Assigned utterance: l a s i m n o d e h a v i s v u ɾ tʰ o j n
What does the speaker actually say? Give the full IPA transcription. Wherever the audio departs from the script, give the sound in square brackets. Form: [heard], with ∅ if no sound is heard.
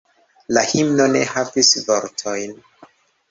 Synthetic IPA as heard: l a [h] i m n o [n] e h a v i s v [o] ɾ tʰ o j n